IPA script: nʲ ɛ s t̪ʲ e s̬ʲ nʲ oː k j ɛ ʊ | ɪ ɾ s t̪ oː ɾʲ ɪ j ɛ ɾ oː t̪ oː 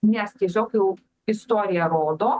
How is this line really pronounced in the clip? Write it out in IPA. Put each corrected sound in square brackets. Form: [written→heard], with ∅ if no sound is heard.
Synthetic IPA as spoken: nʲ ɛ s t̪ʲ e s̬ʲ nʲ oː k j ɛ ʊ | ɪ [ɾ→∅] s t̪ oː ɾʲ ɪ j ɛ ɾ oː [t̪→d̪] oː